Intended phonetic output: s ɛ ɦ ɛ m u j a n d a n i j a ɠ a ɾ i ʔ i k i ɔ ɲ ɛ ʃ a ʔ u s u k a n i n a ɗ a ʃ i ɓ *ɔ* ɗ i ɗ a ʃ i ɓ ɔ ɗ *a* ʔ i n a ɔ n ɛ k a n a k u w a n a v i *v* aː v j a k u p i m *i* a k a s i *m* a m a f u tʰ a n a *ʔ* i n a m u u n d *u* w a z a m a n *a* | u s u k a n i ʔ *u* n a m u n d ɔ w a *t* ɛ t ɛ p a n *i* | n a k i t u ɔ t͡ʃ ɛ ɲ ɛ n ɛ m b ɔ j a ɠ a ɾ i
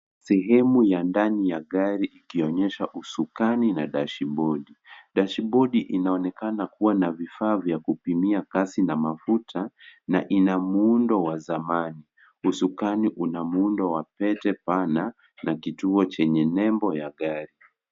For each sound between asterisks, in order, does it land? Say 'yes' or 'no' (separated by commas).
yes, no, no, yes, no, yes, no, no, yes, no, no